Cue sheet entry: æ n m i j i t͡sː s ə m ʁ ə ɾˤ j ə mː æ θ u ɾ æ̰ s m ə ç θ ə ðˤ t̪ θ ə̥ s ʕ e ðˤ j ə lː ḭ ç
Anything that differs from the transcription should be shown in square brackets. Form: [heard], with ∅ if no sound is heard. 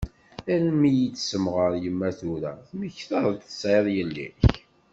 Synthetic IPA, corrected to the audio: æ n m i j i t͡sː s ə m ʁ ə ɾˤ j ə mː æ θ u ɾ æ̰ [θ] m ə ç θ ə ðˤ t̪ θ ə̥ s ʕ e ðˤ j ə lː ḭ ç